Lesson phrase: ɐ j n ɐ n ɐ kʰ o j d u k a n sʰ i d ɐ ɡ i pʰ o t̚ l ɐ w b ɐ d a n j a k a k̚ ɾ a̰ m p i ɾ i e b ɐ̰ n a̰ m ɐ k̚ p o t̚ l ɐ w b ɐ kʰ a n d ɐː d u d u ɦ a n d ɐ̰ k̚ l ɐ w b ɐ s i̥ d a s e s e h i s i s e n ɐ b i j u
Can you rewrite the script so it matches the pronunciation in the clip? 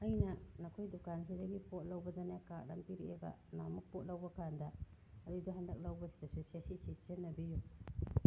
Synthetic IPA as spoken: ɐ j n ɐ n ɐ kʰ o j d u k a n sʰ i d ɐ ɡ i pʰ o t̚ l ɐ w b ɐ d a n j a k a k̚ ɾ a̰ m p i ɾ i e b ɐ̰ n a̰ m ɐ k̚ p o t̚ l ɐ w b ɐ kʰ a n d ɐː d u d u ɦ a n d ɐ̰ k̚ l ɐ w b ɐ s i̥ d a s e s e s i s i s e n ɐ b i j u